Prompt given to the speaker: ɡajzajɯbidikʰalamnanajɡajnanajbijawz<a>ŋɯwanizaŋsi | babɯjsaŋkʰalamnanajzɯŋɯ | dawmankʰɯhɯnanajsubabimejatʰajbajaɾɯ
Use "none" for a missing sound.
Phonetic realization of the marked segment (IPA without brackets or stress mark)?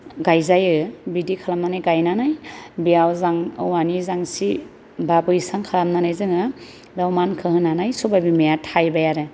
a